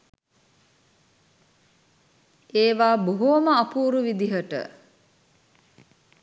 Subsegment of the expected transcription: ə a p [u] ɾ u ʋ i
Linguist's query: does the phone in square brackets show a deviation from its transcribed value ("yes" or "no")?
yes